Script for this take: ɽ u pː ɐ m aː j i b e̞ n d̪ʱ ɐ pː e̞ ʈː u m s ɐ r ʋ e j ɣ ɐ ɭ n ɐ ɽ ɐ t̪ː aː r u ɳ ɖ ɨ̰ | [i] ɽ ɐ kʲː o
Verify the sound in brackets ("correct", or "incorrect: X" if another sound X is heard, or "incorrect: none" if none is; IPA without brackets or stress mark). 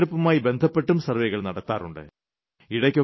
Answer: correct